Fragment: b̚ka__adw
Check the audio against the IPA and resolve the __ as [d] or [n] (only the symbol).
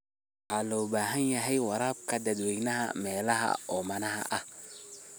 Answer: d